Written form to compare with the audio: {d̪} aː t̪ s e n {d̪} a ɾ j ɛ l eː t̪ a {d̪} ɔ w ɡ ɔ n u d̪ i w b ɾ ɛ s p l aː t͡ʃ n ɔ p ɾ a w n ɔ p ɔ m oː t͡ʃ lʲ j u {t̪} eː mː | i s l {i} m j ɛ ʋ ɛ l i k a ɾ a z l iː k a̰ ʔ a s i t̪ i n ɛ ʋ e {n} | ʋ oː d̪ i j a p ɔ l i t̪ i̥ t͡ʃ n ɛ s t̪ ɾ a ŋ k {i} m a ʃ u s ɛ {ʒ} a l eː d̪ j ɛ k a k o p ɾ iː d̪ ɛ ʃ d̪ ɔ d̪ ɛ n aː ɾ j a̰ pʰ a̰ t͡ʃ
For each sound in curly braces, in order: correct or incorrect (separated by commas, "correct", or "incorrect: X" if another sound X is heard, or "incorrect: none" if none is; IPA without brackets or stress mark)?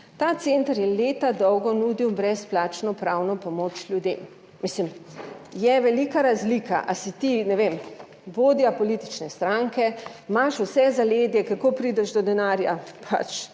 incorrect: t̪, incorrect: t̪, correct, incorrect: d̪, correct, incorrect: m, incorrect: ɛ, incorrect: z